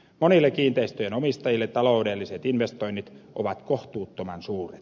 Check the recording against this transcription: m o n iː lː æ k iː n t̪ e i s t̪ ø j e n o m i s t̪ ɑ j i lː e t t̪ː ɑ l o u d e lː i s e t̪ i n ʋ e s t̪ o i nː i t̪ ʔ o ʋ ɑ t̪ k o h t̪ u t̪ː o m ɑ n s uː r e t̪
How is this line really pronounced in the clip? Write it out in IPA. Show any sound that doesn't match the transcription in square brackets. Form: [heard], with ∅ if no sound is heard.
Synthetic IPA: m o n [i] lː [e] k iː n t̪ e i s t̪ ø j e n o m i s t̪ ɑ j i lː e t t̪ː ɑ l o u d e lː i s e t̪ i n ʋ e s t̪ o i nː i t̪ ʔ o ʋ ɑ t̪ k o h t̪ [uː] t̪ː o m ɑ n s uː r e t̪